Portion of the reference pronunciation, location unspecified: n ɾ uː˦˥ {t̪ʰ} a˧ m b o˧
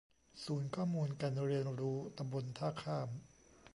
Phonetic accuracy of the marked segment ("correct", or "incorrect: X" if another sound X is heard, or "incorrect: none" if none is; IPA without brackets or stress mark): incorrect: t̪